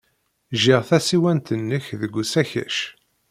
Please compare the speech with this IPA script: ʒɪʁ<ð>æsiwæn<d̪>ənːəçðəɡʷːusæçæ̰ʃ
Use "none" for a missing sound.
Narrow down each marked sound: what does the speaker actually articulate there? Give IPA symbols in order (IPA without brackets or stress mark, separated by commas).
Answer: θ, t̪